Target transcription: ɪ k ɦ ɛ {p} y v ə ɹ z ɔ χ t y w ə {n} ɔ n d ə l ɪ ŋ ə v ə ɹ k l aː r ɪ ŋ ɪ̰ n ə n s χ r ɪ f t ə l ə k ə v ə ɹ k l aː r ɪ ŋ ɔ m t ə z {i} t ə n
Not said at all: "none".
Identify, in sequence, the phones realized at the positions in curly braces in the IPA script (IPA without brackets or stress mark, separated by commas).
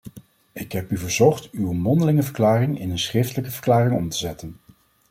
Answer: p, m, ɛ